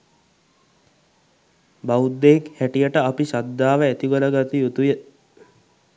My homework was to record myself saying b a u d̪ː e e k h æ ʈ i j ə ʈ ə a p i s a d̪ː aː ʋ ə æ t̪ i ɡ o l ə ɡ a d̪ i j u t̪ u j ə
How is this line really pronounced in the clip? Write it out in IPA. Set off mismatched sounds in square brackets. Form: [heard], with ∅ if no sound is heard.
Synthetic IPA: b a u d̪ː e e k h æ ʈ i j ə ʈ ə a p i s a d̪ː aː ʋ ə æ t̪ i ɡ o l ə ɡ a [t̪] i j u t̪ u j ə